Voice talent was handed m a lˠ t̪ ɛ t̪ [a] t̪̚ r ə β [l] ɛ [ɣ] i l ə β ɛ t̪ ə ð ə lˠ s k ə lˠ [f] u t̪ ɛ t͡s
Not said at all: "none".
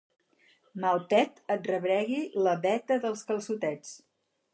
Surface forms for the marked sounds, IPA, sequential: ə, ɾ, ɣ, s

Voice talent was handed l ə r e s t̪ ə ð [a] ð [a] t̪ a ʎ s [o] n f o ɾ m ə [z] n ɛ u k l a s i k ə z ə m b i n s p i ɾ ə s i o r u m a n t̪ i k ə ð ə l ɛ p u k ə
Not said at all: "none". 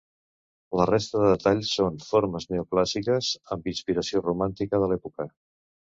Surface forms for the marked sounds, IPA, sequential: ə, ə, o, z

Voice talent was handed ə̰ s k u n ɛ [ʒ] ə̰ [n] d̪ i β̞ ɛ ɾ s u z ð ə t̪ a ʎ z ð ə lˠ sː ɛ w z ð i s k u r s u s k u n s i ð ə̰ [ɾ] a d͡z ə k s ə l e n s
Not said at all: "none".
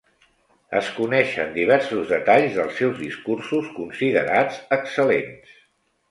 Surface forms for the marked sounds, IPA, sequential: ʃ, n, ɾ

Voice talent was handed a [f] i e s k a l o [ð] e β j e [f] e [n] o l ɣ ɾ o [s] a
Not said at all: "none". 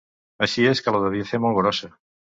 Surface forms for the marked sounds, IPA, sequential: ʃ, ð, θ, m, s

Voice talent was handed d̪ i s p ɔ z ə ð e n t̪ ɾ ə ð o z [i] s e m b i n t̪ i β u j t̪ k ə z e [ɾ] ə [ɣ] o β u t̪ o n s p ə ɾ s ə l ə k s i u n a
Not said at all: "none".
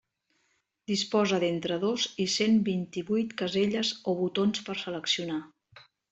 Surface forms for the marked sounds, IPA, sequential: i, ʎ, z

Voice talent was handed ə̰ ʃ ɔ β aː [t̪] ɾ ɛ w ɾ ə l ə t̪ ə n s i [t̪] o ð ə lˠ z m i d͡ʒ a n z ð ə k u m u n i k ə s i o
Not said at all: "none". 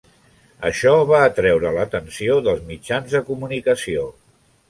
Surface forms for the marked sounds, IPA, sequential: t̪, none

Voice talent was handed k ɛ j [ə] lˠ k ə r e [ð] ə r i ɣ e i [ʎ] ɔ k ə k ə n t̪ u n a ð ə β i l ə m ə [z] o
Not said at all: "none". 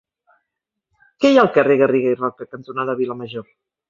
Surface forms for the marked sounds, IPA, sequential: a, ɣ, r, ʒ

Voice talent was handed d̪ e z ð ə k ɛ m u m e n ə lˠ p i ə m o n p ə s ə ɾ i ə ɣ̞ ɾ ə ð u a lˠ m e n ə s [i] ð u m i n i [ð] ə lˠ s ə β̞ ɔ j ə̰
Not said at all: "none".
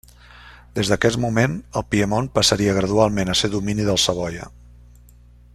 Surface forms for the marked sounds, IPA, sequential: e, ð

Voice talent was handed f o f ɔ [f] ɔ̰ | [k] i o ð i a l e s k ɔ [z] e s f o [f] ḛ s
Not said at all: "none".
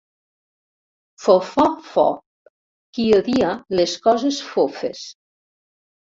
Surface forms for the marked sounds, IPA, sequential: f, k, z, f

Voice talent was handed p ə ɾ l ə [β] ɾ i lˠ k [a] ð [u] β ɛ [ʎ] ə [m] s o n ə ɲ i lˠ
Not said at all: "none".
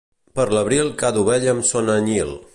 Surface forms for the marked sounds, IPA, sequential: β, a, u, ʎ, m

